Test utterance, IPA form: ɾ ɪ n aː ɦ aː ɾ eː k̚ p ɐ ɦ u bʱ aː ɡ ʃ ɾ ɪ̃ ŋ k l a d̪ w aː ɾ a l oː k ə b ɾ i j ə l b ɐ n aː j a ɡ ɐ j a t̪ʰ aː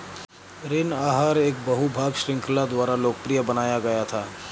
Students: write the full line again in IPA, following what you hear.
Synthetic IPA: ɾ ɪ n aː ɦ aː ɾ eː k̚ b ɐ ɦ u bʱ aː ɡ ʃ ɾ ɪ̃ ŋ k l a d̪ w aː ɾ a l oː k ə p ɾ i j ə b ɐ n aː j a ɡ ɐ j a t̪ʰ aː

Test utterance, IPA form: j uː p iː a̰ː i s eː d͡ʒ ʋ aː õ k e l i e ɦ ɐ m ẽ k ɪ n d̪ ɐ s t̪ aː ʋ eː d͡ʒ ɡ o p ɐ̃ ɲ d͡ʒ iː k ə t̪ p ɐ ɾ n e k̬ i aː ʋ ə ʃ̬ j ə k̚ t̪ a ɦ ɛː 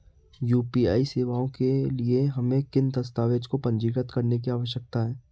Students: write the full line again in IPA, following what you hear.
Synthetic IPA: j uː p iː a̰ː i s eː ʋ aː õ k e l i e ɦ ɐ m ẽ k ɪ n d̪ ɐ s t̪ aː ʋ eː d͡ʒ k o p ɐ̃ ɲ d͡ʒ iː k ə t̪ k ɐ ɾ n e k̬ i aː ʋ ə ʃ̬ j ə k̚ t̪ a ɦ ɛː

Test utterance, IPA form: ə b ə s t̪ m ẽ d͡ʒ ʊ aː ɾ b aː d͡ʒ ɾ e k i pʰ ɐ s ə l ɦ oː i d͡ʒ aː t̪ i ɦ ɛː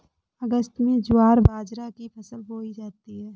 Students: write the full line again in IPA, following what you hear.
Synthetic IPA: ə ɡ ə s t̪ m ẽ d͡ʒ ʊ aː ɾ b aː d͡ʒ ɾ a k i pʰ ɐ s ə l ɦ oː i d͡ʒ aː t̪ i ɦ ɛː

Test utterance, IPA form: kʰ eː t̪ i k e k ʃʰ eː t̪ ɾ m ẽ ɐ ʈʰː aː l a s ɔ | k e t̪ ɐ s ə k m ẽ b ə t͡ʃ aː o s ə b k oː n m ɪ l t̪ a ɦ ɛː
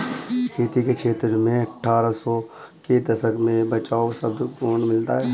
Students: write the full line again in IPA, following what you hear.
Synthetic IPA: kʰ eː t̪ i k e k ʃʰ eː t̪ ɾ m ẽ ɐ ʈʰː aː ɾ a s ɔ | k e d̪ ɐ s ə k m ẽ b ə t͡ʃ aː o s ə b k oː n m ɪ l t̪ a ɦ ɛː

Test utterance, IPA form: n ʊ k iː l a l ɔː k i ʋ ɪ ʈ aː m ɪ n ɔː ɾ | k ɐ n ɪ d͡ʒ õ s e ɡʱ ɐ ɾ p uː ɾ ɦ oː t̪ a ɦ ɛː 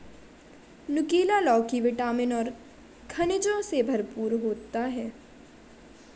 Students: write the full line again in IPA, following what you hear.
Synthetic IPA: n ʊ k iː l a l ɔː k i ʋ ɪ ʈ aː m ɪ n ɔː ɾ | kʰ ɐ n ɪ d͡ʒ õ s e bʱ ɐ ɾ p uː ɾ ɦ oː t̪ a ɦ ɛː

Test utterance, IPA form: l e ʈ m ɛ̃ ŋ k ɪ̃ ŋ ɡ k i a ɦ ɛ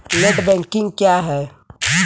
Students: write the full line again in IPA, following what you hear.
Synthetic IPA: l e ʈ b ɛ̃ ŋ k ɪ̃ ŋ ɡ k j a ɦ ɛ

